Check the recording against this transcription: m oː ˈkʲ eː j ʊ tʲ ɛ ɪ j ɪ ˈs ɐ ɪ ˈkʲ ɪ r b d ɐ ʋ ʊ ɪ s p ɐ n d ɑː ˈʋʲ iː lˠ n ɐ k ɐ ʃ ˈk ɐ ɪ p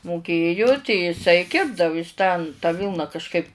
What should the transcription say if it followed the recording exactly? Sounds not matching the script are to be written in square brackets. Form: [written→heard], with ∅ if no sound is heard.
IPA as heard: m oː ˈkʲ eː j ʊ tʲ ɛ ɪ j ɪ ˈs ɐ ɪ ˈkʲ ɪ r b d ɐ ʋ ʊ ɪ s [p→t] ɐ n [d→t] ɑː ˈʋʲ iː lˠ n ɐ k ɐ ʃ ˈk ɐ ɪ p